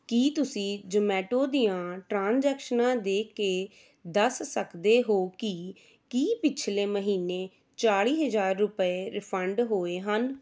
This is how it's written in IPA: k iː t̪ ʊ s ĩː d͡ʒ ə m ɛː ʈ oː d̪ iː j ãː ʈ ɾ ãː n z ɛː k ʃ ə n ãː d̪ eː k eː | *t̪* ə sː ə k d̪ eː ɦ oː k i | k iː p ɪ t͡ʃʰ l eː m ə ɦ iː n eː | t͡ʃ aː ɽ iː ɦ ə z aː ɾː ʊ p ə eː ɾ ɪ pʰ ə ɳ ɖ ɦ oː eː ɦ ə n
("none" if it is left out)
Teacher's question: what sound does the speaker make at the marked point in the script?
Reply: d̪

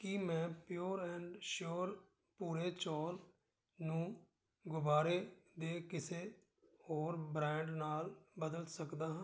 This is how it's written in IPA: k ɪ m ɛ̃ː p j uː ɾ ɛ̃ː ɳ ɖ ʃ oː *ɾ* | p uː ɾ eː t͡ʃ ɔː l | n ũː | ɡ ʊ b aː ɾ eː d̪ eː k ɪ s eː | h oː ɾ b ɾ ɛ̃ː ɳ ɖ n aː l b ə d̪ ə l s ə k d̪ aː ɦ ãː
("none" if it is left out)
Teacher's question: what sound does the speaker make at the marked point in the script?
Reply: ɾ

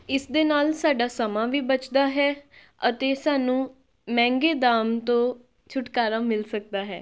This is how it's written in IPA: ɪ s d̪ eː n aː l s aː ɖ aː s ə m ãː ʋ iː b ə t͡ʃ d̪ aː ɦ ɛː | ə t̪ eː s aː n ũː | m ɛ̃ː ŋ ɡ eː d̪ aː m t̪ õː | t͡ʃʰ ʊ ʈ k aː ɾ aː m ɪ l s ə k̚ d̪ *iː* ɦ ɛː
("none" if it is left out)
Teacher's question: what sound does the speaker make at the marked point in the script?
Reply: aː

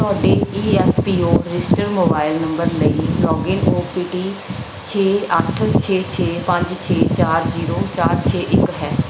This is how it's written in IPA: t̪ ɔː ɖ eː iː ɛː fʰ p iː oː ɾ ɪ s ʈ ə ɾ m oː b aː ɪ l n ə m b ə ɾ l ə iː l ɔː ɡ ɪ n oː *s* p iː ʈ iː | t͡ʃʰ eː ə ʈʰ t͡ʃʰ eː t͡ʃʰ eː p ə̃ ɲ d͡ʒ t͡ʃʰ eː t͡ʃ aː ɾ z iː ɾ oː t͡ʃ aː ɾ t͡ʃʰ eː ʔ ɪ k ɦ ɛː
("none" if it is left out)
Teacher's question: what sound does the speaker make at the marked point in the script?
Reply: none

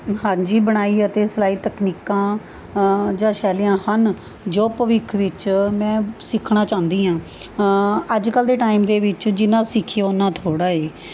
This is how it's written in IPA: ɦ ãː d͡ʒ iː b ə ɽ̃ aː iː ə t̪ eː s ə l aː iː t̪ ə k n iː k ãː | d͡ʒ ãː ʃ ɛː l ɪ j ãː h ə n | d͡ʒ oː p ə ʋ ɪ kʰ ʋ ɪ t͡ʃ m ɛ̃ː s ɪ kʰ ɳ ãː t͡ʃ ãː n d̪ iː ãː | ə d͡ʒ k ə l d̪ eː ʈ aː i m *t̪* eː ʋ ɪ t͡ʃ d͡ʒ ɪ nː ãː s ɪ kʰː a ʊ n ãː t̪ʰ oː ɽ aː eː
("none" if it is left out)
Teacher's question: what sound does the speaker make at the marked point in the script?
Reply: d̪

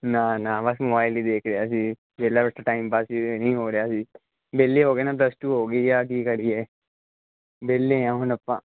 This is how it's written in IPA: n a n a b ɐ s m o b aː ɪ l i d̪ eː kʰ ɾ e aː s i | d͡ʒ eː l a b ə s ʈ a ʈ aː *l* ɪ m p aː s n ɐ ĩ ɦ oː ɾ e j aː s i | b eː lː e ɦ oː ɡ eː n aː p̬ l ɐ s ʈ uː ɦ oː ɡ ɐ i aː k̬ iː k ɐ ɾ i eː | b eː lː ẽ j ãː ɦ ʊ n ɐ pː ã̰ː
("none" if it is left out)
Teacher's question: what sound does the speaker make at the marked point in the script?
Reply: none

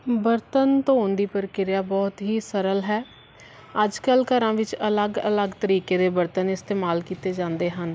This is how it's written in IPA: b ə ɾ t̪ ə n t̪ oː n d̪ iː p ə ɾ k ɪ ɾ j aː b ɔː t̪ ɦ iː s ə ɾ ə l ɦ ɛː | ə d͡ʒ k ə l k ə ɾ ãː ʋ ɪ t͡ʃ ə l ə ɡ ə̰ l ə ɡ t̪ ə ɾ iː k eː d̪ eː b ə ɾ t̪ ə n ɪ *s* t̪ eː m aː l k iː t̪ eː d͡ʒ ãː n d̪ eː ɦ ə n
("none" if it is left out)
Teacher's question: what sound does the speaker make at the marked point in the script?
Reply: s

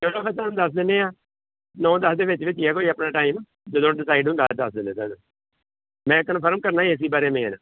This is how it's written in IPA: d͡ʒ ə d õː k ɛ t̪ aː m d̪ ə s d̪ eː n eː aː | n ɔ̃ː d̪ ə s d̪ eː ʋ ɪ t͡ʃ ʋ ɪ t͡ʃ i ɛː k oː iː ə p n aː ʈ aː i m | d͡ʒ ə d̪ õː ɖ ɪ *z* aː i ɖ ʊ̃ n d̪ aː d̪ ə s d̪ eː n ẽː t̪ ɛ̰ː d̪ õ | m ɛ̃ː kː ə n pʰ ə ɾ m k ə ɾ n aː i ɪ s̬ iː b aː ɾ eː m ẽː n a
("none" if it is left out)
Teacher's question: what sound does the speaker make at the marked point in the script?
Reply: s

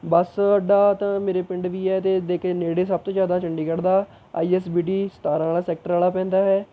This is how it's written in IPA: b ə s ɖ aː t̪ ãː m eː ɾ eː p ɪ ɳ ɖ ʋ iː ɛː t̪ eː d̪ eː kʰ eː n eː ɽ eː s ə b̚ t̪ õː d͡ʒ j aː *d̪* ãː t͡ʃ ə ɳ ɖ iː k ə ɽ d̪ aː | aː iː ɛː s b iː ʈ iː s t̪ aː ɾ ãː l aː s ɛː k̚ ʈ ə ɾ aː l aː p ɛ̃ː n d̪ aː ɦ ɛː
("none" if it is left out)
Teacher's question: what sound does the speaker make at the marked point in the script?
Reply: d̪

